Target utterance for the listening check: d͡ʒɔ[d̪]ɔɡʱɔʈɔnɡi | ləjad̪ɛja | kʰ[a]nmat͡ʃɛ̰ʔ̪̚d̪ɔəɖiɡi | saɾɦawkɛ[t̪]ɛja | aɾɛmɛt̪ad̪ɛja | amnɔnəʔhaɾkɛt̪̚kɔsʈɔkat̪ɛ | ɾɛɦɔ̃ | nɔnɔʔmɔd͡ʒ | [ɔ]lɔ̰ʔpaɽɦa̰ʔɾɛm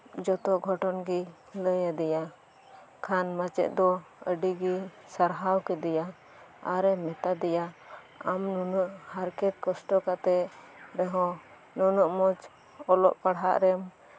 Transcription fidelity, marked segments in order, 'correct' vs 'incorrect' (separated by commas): incorrect, correct, incorrect, correct